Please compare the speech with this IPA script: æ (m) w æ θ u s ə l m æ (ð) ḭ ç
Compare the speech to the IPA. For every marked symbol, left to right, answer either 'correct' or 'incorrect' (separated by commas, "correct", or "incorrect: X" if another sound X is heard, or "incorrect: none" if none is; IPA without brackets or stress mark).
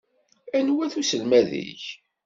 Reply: incorrect: n, correct